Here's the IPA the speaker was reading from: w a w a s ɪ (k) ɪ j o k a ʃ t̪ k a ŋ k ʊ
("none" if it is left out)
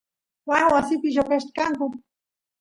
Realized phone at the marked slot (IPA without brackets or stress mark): p